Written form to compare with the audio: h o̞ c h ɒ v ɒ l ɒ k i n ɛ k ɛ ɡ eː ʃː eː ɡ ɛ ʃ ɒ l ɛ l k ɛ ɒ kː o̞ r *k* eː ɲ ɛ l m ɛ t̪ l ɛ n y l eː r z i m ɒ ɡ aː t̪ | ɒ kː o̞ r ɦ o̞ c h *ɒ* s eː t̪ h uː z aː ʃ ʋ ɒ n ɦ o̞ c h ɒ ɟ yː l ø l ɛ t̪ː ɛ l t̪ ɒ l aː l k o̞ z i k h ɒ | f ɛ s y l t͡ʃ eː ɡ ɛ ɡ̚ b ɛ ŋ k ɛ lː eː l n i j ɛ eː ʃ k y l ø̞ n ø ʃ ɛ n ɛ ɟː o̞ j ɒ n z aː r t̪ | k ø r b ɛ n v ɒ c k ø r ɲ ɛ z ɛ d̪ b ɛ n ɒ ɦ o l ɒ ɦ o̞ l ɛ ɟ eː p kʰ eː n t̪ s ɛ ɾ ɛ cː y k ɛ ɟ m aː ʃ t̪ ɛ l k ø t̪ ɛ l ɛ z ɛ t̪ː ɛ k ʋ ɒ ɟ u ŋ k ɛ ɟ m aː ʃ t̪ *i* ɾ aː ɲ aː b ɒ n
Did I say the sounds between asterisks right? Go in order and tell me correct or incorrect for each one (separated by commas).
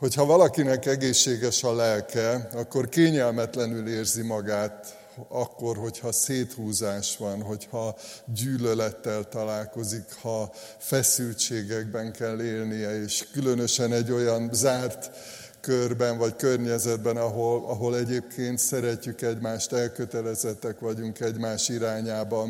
correct, correct, correct